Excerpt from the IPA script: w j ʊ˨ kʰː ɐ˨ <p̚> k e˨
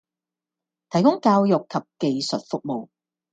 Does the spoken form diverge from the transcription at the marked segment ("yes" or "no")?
no